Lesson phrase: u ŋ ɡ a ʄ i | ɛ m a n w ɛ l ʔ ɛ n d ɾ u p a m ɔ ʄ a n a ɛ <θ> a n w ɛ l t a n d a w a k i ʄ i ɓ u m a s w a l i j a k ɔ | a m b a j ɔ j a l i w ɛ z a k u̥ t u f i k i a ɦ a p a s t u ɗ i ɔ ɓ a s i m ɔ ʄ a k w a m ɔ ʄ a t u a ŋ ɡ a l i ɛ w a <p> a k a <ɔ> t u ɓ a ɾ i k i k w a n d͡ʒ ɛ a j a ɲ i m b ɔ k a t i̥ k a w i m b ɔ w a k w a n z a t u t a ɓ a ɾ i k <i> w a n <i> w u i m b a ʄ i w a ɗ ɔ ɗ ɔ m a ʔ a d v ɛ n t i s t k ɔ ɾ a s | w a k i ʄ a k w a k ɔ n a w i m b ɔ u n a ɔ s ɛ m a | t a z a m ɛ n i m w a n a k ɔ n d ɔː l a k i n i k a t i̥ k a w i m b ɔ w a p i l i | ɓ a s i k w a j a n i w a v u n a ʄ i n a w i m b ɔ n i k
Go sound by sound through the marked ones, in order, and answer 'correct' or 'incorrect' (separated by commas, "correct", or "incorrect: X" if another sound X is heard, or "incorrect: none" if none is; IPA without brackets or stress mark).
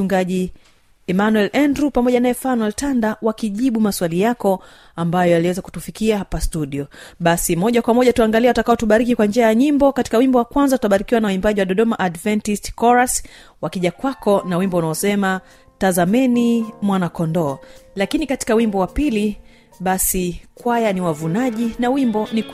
incorrect: f, incorrect: t, correct, correct, incorrect: a